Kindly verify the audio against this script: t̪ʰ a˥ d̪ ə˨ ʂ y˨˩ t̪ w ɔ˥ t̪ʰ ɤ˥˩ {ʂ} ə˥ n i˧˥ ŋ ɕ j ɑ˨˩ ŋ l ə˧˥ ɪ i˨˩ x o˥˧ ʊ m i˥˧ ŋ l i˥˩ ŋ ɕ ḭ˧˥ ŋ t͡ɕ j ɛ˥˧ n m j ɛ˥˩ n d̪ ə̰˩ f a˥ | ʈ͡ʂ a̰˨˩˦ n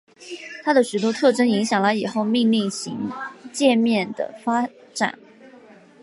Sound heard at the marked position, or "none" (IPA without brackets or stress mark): ʈ͡ʂ